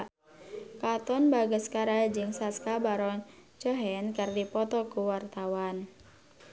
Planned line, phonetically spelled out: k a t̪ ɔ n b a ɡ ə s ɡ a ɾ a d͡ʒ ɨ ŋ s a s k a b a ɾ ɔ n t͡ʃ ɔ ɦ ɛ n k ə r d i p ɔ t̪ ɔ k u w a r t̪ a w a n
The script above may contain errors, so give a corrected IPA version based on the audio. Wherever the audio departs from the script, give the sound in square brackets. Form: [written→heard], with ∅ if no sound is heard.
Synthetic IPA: k a t̪ ɔ n b a ɡ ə s [ɡ→k] a ɾ a d͡ʒ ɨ ŋ s a s k a b a ɾ ɔ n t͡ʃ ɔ ɦ ɛ n k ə r d i p ɔ t̪ ɔ k u w a r t̪ a w a n